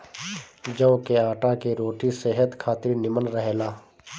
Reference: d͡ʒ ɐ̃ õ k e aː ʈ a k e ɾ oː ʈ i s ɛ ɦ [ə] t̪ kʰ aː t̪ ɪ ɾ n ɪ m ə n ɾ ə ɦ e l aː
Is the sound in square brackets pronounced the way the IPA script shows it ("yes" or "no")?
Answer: yes